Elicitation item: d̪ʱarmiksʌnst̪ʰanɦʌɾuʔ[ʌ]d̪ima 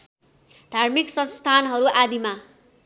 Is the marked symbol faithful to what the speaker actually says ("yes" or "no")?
no